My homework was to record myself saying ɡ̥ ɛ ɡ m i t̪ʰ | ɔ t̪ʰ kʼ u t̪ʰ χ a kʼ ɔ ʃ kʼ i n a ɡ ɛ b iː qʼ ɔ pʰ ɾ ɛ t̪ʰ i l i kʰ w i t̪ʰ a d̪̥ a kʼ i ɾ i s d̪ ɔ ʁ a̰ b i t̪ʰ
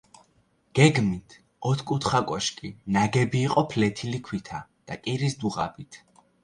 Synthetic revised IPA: ɡ̥ ɛ ɡ m i t̪ʰ | ɔ t̪ʰ kʼ u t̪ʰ χ a kʼ ɔ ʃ kʼ i n a ɡ ɛ b iː qʼ ɔ pʰ l ɛ t̪ʰ i l i kʰ w i t̪ʰ a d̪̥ a kʼ i ɾ i s d̪ u ʁ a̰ b i t̪ʰ